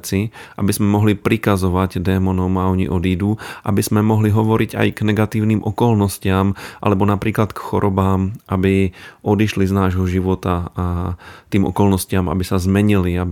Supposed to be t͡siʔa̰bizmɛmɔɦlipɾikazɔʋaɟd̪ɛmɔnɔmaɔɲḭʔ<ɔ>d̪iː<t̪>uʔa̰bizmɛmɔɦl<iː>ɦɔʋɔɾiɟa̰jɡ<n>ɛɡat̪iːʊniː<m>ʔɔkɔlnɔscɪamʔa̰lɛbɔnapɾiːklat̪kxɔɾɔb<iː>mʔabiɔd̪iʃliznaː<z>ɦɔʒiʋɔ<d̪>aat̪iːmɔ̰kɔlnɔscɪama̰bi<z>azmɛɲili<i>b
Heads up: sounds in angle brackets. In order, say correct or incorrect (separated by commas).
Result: correct, incorrect, incorrect, correct, correct, incorrect, incorrect, incorrect, incorrect, incorrect